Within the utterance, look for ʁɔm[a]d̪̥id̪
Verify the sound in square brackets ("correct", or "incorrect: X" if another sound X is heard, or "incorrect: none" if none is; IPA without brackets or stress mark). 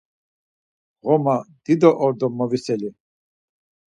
correct